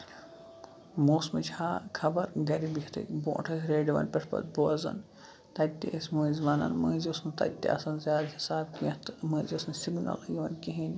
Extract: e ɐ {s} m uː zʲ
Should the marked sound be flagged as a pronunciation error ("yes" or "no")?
no